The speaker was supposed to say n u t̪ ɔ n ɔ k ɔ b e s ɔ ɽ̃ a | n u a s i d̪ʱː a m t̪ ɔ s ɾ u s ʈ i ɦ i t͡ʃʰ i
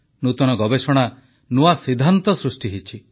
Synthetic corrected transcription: n u t̪ ɔ n ɔ ɡ ɔ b e s ɔ ɽ̃ a | n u a s i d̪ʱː a n t̪ ɔ s ɾ u s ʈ i ɦ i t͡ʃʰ i